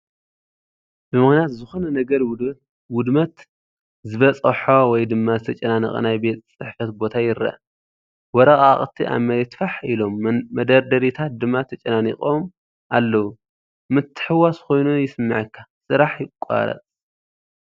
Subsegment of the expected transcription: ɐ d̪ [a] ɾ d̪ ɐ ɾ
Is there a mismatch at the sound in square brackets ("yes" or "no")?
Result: yes